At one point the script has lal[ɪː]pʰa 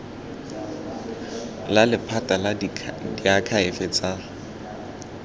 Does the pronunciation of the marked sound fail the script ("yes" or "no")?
yes